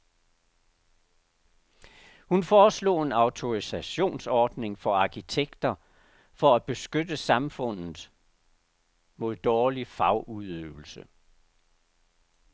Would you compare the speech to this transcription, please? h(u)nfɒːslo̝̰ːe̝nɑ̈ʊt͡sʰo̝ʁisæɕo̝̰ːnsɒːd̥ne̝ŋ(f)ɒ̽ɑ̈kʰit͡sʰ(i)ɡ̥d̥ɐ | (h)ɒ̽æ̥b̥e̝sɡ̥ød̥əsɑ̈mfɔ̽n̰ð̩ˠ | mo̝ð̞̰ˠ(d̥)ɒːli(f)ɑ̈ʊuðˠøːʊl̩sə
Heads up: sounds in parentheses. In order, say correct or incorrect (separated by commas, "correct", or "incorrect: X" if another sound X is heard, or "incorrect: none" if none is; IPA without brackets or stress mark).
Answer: correct, correct, incorrect: e, incorrect: f, correct, correct